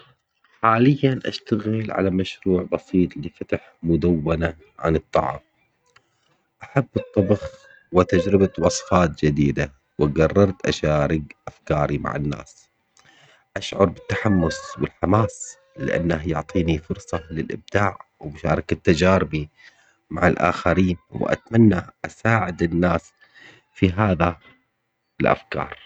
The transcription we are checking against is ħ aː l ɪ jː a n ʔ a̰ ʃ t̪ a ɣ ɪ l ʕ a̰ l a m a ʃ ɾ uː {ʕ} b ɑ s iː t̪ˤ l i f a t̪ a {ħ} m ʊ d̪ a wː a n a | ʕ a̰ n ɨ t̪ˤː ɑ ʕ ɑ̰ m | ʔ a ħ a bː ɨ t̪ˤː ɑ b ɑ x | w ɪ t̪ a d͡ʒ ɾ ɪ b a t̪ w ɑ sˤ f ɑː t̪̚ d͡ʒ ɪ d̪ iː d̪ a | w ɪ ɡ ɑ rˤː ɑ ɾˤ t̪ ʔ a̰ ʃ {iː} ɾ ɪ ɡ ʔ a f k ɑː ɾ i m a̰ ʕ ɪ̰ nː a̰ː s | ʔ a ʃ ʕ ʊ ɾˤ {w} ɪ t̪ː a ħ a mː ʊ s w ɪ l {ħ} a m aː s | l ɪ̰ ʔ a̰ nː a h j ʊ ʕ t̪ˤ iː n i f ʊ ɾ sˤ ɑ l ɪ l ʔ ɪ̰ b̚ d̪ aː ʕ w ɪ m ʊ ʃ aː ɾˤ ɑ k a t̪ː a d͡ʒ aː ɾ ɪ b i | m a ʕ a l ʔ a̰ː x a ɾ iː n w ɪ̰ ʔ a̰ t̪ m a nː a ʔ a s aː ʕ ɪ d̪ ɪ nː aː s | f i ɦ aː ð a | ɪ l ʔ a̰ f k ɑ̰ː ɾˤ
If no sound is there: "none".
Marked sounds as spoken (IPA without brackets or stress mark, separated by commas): ʕ, ħ, aː, b, ħ